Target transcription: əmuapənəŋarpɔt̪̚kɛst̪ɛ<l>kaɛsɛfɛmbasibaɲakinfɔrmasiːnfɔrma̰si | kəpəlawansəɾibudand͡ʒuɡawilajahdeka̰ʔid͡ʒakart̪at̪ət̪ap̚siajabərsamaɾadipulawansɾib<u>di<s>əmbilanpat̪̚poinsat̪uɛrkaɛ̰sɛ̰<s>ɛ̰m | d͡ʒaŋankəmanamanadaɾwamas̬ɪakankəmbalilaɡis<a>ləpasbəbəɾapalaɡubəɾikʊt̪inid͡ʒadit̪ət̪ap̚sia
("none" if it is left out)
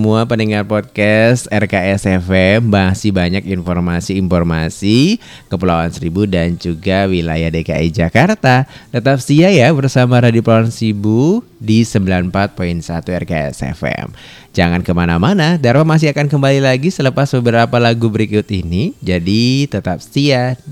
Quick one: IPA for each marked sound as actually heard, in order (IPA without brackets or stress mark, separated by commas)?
r, u, s, f, ə